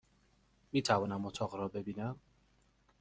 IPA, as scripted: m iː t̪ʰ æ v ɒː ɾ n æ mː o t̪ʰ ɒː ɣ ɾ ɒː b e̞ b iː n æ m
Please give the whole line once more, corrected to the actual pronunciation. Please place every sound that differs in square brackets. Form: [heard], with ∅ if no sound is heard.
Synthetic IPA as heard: m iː t̪ʰ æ v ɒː [∅] n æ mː o t̪ʰ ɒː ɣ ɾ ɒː b e̞ b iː n æ m